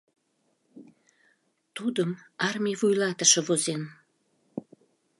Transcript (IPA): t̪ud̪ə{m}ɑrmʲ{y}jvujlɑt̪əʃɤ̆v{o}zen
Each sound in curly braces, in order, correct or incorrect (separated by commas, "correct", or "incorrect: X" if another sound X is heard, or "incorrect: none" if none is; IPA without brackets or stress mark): correct, incorrect: i, correct